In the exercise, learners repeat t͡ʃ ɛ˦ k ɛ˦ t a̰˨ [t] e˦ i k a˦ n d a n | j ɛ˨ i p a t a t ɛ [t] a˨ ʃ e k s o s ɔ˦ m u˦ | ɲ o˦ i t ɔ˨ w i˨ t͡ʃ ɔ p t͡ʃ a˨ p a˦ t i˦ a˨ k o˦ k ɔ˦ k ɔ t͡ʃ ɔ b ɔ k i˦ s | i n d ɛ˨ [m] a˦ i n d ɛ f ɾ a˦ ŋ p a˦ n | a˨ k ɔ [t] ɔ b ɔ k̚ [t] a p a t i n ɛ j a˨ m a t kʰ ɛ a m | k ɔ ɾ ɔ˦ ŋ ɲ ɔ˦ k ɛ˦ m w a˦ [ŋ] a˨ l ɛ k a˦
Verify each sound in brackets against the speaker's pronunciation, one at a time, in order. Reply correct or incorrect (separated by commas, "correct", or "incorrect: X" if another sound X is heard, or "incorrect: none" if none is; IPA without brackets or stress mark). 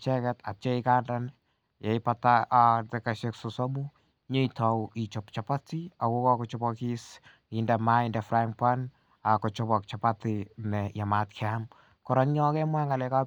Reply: incorrect: t͡ʃ, incorrect: k, correct, incorrect: t͡ʃ, incorrect: t͡ʃ, correct